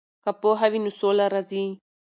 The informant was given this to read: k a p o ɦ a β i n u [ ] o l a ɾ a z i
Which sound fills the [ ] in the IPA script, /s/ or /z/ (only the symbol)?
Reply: s